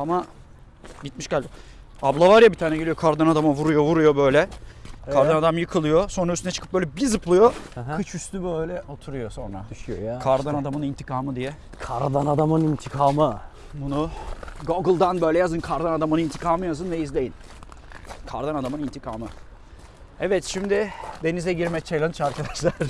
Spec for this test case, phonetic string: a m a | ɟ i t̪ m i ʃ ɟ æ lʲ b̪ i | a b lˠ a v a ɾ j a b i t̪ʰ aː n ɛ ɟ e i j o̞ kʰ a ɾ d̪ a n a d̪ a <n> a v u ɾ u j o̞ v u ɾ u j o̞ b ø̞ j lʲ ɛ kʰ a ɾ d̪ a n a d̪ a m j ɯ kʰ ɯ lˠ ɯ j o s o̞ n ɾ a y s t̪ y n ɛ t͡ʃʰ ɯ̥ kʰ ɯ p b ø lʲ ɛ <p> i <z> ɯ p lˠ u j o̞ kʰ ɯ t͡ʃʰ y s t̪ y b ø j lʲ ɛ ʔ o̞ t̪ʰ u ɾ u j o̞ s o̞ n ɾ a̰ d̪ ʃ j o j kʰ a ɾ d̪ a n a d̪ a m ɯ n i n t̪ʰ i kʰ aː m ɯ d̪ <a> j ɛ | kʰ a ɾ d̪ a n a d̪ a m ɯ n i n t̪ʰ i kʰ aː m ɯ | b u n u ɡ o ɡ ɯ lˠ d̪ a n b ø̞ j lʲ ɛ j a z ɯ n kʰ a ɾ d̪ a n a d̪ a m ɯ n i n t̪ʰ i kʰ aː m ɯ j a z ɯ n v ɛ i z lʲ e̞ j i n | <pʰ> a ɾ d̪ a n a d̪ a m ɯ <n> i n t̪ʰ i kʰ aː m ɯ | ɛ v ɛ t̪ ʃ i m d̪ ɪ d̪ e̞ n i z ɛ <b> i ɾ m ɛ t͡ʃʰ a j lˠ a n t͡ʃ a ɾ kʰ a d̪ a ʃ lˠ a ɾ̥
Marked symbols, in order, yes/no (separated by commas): no, no, yes, no, no, yes, no